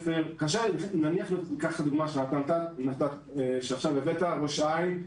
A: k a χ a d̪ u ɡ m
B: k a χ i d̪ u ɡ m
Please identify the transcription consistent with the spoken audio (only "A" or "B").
A